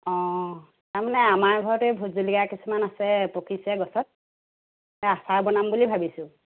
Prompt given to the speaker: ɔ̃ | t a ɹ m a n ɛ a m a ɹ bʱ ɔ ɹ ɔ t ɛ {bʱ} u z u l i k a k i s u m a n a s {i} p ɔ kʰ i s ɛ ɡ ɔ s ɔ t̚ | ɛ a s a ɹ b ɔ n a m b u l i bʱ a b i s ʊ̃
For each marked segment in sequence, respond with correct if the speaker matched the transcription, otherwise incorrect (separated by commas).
correct, incorrect